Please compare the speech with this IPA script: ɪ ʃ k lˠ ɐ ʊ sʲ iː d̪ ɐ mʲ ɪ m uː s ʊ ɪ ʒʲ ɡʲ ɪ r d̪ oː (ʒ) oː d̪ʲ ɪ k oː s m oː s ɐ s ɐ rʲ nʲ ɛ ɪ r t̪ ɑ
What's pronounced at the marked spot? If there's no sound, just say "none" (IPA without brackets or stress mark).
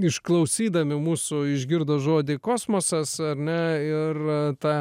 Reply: ʒ